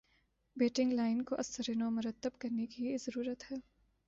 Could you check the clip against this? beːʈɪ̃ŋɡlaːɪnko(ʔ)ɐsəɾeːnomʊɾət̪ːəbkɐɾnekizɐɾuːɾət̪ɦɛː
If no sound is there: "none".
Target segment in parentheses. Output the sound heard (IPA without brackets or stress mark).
ʔ